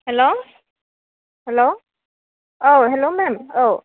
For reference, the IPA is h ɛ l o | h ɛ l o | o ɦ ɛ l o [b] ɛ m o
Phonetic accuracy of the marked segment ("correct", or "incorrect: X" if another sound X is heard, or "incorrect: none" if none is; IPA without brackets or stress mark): incorrect: m